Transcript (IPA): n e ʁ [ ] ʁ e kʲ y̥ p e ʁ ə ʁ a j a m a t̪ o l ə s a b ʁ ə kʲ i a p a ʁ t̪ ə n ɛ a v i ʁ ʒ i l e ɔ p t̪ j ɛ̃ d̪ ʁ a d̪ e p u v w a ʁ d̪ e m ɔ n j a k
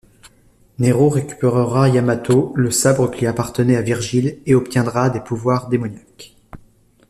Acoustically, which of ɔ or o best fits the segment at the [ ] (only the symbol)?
o